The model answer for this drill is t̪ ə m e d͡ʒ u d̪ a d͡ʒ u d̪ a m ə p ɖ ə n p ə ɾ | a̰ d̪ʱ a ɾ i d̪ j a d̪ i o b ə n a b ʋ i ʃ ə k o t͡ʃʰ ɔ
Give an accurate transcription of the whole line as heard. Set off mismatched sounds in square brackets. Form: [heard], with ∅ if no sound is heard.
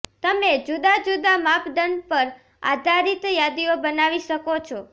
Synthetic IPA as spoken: t̪ ə m e d͡ʒ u d̪ a d͡ʒ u d̪ a m [a] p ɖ ə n p ə ɾ | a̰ d̪ʱ a ɾ i [t̪] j a d̪ i o b ə n a [∅] ʋ i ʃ ə k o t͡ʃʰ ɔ